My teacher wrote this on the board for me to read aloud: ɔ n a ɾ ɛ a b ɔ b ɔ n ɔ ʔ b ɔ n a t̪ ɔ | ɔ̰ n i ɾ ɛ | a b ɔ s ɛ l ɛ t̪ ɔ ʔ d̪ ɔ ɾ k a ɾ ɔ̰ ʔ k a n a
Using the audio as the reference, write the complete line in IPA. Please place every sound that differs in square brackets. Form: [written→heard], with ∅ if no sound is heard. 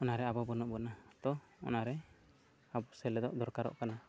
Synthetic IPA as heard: ɔ n a ɾ ɛ a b ɔ b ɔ n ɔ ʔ b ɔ n a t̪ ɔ | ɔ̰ n [i→a] ɾ ɛ | a b ɔ s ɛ l ɛ [t̪→d̪] ɔ ʔ d̪ ɔ ɾ k a ɾ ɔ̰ ʔ k a n a